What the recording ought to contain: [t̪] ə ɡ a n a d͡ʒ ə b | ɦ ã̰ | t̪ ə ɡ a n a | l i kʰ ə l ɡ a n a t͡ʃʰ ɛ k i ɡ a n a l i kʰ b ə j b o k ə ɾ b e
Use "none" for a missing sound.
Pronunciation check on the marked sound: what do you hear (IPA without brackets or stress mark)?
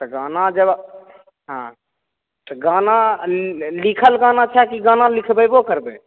t̪